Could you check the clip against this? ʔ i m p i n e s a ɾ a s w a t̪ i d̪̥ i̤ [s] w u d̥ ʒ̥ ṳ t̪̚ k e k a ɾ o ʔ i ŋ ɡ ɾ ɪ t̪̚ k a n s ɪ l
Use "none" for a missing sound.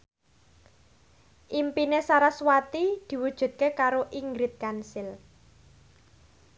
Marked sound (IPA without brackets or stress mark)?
none